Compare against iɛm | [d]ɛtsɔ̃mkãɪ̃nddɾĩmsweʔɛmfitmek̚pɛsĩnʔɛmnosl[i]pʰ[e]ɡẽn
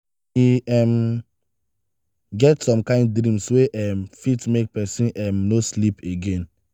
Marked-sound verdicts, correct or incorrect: incorrect, correct, correct

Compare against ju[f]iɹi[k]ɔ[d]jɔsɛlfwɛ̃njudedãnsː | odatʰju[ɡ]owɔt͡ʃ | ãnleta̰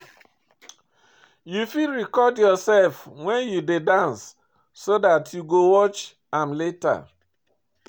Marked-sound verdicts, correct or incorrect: correct, correct, correct, correct

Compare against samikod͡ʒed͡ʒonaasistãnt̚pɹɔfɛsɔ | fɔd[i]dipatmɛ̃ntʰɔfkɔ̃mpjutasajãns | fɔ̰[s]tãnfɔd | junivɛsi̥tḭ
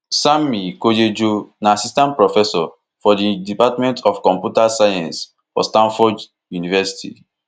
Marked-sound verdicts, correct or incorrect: correct, correct

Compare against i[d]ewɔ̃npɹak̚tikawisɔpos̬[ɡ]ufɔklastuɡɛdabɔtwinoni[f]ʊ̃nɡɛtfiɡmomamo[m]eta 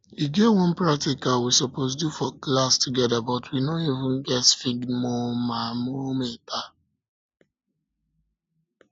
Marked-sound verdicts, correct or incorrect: incorrect, incorrect, incorrect, correct

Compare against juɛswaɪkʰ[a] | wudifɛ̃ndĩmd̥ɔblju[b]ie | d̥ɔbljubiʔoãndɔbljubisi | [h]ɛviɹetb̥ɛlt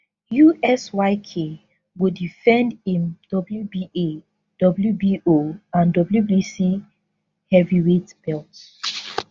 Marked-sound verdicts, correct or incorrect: incorrect, correct, correct

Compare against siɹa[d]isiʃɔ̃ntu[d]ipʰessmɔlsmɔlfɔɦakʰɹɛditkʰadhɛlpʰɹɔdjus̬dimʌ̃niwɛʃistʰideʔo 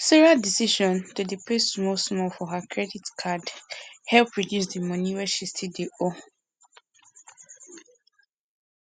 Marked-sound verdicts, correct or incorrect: correct, correct

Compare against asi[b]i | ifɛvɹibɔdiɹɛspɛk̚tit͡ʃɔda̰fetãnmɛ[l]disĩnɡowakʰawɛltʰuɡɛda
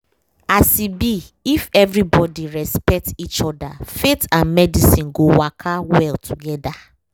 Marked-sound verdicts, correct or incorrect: correct, incorrect

